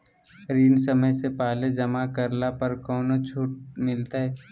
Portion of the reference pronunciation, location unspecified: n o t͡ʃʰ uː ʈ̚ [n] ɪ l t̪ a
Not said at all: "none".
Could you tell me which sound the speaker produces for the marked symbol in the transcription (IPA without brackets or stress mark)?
m